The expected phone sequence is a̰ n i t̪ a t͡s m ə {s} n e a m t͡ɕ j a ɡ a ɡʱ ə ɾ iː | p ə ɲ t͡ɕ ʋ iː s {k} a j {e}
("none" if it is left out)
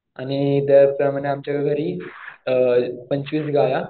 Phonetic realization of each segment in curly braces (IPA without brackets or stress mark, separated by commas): none, ɡ, a